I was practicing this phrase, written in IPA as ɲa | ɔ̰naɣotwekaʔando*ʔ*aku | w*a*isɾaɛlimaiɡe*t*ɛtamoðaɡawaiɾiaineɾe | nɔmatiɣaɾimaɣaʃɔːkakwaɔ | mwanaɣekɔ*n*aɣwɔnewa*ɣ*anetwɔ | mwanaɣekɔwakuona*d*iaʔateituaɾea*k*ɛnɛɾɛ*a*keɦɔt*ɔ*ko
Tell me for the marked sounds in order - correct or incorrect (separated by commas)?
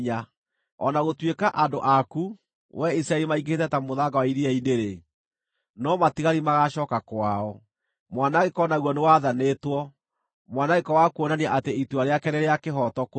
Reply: correct, incorrect, correct, correct, incorrect, incorrect, correct, correct, correct